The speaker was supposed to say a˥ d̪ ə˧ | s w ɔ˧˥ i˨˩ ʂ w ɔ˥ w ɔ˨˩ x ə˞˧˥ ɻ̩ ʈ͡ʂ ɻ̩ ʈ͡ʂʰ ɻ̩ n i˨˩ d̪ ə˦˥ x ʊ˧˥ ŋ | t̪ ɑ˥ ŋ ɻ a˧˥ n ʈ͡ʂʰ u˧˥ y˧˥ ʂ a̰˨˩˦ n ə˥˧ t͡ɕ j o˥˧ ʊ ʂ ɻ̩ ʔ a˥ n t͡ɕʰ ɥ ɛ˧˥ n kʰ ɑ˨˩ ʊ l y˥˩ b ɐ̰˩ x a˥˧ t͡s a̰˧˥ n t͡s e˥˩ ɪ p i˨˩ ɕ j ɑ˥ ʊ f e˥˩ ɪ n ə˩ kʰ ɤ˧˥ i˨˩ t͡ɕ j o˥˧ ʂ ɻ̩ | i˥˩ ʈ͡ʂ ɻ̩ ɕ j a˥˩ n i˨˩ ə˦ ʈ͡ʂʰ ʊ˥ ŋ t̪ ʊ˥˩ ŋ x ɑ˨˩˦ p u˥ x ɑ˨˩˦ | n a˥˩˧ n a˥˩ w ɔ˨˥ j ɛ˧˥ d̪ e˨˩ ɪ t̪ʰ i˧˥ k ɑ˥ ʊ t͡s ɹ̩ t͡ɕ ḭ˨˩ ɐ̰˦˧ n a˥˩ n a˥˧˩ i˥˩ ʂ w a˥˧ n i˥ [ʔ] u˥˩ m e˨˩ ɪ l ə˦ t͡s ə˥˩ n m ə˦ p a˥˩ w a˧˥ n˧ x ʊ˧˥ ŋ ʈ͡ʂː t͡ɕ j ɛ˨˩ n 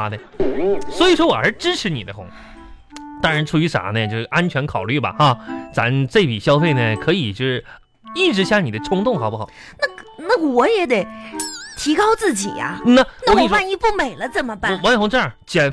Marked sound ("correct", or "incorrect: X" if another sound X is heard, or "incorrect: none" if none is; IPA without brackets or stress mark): incorrect: p